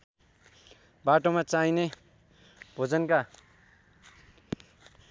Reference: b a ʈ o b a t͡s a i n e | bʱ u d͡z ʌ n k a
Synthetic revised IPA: b a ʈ o m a t͡s a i n e | bʱ o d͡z ʌ n k a